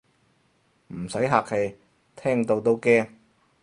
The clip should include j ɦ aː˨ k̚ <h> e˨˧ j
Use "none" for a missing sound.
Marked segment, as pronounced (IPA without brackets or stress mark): h